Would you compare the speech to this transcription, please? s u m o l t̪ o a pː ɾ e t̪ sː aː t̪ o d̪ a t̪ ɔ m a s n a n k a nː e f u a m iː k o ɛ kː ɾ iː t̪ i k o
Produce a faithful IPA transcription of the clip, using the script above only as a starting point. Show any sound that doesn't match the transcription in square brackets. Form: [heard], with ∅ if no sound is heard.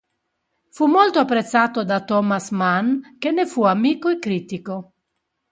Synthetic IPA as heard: [f] u m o l t̪ o a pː ɾ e t̪ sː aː t̪ o d̪ a t̪ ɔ m a s [m] a n k [e] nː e f u a m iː k o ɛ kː ɾ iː t̪ i k o